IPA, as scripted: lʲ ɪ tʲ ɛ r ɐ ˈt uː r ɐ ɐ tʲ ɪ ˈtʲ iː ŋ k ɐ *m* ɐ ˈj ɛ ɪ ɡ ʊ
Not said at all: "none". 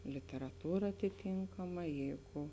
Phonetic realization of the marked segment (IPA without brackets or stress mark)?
m